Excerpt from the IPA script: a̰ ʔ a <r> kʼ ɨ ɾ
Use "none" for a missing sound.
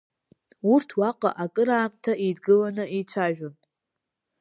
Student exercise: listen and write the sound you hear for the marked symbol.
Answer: none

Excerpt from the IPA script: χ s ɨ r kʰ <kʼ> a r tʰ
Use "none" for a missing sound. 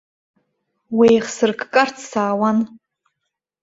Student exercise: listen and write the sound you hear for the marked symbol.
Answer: kʼ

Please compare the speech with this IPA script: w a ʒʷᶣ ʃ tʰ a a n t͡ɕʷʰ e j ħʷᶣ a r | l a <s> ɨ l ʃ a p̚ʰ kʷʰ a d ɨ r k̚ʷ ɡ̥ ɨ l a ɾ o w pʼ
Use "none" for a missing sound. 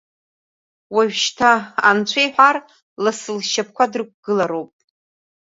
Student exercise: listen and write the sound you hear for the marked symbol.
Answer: s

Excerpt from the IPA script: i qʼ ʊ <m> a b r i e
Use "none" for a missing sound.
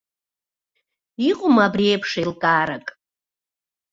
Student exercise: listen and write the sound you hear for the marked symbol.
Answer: m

